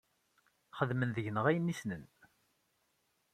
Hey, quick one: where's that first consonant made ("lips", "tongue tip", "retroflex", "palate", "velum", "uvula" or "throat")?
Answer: uvula